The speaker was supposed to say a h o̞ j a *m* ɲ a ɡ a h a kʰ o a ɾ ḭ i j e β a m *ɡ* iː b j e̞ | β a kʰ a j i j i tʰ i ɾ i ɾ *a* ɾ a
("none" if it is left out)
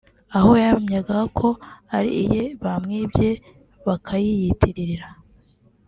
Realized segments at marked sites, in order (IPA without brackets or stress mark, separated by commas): m, ŋ, i